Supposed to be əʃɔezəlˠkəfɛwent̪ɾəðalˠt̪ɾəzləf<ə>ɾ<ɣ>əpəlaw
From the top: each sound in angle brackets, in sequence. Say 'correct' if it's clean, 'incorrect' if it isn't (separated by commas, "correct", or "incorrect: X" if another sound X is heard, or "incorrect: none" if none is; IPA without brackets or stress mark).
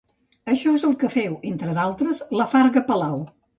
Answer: incorrect: a, correct